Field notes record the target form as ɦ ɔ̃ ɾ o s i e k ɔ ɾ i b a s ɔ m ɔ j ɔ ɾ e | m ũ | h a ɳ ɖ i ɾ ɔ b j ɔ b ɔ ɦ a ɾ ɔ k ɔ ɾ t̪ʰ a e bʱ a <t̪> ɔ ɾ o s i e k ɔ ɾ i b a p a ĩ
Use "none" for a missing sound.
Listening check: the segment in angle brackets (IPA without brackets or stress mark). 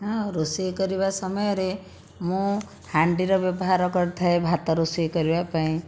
t̪